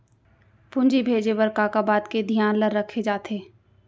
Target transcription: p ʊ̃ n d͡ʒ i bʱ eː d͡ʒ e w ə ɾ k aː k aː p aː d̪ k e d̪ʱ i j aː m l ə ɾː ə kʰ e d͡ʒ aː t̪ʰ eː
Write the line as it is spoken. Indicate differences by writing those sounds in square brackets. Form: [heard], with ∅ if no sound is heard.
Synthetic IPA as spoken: p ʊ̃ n d͡ʒ i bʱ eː d͡ʒ e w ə ɾ k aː k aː [b] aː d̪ k e d̪ʱ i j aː [n] l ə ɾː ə kʰ e d͡ʒ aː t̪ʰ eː